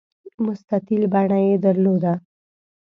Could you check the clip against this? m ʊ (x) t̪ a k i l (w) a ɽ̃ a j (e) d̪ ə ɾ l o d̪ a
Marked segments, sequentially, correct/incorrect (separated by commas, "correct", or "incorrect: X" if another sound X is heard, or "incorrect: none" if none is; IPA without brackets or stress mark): incorrect: s, incorrect: b, correct